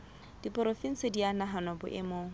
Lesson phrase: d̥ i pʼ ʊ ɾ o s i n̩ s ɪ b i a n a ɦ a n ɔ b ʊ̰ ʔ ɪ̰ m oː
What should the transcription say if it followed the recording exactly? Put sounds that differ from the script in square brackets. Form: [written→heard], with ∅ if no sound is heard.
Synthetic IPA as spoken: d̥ i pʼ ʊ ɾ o [s→f] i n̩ s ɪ [b→d] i a n a ɦ a n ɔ b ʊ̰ ʔ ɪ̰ m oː